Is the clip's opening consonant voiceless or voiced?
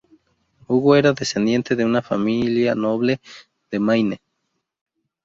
voiced